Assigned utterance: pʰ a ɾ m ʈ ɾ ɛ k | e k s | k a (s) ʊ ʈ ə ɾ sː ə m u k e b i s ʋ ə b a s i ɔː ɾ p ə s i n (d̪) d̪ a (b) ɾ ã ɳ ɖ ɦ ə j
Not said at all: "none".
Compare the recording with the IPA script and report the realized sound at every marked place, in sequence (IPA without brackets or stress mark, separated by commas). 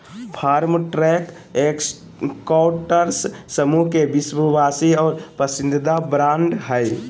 none, d̪, b